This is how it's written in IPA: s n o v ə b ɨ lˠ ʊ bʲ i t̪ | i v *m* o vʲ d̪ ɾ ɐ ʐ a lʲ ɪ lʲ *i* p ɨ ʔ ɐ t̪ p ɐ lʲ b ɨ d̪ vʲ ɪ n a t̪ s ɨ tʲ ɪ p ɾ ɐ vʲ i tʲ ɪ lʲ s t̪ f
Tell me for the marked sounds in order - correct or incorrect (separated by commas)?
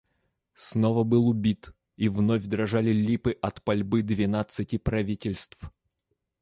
incorrect, correct